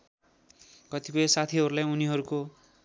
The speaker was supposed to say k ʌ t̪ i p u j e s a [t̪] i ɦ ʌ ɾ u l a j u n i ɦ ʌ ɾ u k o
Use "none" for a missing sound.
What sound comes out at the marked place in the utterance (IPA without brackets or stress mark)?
t̪ʰ